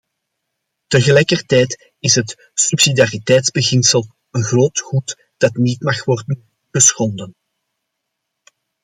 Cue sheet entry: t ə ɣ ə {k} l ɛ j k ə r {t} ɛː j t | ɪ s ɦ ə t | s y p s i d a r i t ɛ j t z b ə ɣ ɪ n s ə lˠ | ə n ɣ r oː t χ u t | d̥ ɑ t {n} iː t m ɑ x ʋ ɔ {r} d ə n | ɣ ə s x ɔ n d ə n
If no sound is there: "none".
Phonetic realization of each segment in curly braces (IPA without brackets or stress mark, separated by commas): none, t, n, r